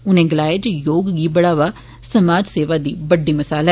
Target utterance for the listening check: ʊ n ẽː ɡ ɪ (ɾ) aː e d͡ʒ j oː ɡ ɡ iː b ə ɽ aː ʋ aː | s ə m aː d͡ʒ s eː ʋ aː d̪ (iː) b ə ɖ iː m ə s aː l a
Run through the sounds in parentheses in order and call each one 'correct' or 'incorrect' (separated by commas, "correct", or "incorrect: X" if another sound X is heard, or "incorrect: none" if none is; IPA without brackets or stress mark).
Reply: incorrect: l, correct